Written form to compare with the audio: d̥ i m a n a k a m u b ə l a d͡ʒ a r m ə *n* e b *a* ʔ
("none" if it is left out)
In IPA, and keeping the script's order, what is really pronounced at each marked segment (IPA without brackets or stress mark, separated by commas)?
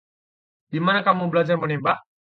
n, a